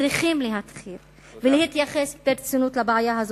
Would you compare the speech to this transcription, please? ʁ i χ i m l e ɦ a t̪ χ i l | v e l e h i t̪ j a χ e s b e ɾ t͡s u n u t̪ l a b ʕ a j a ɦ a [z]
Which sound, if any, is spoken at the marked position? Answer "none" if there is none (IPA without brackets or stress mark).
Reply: z